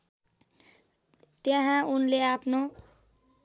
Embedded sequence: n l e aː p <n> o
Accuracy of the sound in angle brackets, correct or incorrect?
correct